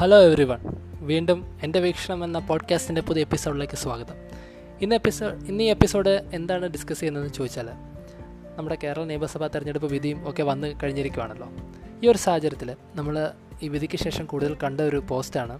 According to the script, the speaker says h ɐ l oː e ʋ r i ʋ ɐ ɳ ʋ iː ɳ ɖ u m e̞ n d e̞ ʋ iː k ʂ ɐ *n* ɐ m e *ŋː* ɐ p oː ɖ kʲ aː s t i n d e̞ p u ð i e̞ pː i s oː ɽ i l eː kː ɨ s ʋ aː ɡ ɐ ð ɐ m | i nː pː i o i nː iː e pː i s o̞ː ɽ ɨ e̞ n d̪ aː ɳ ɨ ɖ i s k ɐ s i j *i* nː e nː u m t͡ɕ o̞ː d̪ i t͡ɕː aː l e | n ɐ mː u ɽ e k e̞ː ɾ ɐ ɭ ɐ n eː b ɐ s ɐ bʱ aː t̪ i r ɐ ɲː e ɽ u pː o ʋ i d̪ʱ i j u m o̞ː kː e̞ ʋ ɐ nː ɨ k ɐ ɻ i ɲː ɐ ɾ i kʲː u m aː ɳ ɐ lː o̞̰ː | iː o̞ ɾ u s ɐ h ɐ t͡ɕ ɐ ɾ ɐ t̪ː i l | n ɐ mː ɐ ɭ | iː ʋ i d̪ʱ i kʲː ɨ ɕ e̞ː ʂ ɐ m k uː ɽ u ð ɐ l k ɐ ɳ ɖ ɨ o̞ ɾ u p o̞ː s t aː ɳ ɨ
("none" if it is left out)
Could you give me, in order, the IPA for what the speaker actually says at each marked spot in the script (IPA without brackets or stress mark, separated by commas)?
ɳ, nː, e